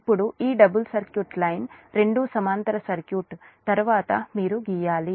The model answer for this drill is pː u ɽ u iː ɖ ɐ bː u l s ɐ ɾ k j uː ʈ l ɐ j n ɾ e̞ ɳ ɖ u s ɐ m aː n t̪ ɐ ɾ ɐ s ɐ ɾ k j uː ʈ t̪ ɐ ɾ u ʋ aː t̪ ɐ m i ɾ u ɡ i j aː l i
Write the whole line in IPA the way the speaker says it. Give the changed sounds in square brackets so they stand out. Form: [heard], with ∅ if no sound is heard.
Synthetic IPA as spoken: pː u ɽ u iː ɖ ɐ [b] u l s ɐ ɾ k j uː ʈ l ɐ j n ɾ e̞ ɳ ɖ u s ɐ m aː n t̪ ɐ ɾ ɐ s ɐ ɾ k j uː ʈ t̪ ɐ ɾ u ʋ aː t̪ ɐ m [iː] ɾ u ɡ i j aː l i